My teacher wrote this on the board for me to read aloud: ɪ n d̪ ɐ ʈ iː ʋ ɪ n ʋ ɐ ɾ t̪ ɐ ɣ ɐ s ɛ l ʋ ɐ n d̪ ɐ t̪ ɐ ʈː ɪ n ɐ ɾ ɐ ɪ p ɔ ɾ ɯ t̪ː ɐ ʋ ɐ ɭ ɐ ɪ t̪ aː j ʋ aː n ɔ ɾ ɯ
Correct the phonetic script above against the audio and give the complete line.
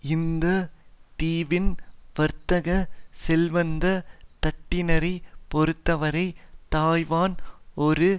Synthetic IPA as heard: ɪ n d̪ ɐ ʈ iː ʋ ɪ n ʋ ɐ ɾ t̪ ɐ ɣ ɐ s ɛ l ʋ ɐ n d̪ ɐ t̪ ɐ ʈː ɪ n ɐ ɾ ɐ ɪ p ɔ ɾ ɯ t̪ː ɐ ʋ ɐ ɾ ɐ ɪ t̪ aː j ʋ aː n ɔ ɾ ɯ